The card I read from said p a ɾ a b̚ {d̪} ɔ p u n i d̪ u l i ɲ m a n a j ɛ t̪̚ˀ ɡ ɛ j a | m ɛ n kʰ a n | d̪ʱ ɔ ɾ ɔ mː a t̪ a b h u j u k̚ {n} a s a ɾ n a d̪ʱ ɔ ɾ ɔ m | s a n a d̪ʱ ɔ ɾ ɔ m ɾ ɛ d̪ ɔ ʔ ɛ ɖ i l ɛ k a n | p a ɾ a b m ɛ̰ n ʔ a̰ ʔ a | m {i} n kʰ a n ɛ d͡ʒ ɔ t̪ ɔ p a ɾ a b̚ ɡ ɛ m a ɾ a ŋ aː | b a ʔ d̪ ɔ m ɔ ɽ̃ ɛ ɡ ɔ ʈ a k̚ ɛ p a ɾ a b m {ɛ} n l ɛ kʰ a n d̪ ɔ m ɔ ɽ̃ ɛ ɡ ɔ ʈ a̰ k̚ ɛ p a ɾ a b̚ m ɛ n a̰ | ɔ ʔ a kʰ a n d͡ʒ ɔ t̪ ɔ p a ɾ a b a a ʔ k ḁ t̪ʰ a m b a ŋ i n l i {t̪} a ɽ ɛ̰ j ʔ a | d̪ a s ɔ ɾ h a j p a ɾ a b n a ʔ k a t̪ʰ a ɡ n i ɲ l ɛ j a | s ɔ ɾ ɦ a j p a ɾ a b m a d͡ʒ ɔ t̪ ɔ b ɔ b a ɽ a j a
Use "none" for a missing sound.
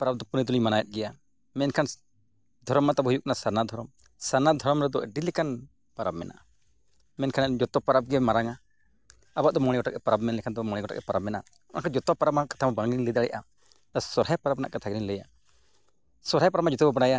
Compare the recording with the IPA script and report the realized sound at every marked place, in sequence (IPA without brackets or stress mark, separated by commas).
d̪, n, ɛ, ɛ, d̪